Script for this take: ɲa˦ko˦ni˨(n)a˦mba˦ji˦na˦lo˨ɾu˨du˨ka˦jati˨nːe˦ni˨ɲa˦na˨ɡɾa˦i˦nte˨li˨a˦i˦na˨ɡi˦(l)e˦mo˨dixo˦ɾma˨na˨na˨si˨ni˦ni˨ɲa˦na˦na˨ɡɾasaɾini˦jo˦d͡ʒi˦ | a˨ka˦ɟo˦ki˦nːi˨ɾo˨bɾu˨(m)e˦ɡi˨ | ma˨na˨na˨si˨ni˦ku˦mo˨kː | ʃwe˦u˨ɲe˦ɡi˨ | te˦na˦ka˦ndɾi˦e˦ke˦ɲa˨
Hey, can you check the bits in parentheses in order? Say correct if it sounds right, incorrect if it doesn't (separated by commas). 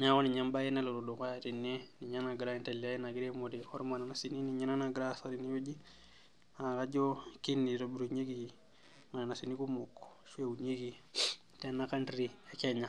incorrect, incorrect, incorrect